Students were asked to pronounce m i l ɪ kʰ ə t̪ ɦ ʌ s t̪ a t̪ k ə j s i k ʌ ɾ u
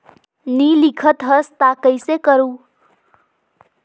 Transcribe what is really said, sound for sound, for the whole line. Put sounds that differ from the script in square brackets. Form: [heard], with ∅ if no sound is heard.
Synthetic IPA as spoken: [n] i l [i] kʰ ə t̪ ɦ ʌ s t̪ a [∅] k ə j s [e] k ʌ ɾ u